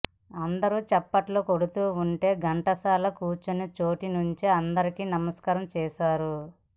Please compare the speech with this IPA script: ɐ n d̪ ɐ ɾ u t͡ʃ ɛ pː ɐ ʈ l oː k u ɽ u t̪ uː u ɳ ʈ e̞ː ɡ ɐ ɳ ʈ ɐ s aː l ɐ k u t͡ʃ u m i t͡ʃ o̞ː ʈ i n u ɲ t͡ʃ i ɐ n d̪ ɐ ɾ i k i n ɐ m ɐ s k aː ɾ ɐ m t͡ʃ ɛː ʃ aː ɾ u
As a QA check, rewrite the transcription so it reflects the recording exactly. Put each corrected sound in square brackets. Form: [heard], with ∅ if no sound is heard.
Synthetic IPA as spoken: ɐ n d̪ ɐ ɾ u t͡ʃ ɛ pː ɐ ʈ l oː k [o] ɽ u t̪ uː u ɳ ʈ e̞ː ɡ ɐ ɳ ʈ ɐ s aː l ɐ k [uː] t͡ʃ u [n] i t͡ʃ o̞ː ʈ i n u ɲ t͡ʃ i ɐ n d̪ ɐ ɾ i k i n ɐ m ɐ s k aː ɾ ɐ m t͡ʃ ɛː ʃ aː ɾ u